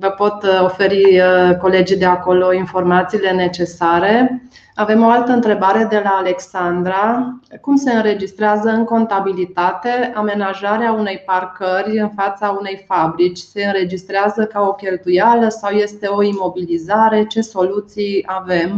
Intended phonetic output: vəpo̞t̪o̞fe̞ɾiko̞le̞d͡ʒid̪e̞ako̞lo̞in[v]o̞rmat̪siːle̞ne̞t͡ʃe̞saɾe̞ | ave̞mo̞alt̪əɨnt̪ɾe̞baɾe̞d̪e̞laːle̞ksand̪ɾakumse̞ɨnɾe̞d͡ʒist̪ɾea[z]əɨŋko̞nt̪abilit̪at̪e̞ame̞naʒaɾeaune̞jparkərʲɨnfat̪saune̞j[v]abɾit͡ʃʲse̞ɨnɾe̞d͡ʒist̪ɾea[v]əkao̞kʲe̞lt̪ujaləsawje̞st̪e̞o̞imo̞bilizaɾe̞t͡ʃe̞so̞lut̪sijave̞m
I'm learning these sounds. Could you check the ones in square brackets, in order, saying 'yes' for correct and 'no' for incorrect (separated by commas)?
no, yes, no, no